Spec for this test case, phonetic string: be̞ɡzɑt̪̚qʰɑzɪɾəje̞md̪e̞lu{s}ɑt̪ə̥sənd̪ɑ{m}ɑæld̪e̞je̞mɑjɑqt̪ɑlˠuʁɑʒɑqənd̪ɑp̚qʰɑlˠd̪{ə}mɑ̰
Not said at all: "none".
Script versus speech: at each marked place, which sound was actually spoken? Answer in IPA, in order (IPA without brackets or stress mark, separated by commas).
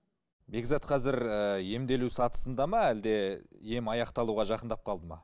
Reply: s, m, ə